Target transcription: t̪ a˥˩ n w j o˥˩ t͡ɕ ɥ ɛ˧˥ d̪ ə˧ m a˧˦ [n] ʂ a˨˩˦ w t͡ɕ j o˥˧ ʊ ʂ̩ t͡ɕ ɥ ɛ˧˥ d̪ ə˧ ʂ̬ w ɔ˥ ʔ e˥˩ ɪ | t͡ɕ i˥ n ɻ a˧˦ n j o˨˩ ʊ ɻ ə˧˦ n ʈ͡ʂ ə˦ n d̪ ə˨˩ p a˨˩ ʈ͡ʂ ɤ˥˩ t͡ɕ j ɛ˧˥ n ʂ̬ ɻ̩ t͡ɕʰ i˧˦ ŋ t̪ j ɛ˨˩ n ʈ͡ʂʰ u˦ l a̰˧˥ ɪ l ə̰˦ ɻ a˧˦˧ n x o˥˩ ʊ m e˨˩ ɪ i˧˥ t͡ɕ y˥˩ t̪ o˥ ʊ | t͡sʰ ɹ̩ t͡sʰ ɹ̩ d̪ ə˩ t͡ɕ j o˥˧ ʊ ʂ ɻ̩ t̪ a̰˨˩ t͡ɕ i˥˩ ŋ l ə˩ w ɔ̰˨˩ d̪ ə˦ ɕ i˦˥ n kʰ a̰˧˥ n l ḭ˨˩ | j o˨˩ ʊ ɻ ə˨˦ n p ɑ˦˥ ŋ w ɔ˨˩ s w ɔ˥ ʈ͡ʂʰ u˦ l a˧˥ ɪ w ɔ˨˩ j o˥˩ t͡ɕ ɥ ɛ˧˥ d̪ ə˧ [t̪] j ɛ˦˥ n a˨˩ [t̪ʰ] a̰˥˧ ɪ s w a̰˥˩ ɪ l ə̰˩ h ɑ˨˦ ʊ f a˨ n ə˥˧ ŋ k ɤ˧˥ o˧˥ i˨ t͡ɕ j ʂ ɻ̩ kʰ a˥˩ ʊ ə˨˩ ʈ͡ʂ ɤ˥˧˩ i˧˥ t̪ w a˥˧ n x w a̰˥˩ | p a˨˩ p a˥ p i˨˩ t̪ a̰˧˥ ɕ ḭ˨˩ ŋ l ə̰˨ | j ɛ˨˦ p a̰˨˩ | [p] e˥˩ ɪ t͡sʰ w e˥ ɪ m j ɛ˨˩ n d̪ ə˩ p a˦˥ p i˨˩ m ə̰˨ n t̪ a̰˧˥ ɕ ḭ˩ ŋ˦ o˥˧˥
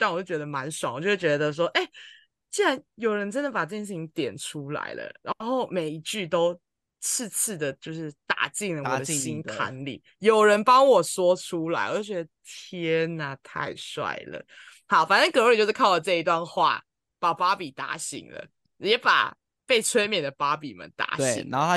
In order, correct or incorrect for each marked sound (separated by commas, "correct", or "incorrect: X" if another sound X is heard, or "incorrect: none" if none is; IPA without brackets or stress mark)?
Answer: correct, incorrect: t̪ʰ, correct, correct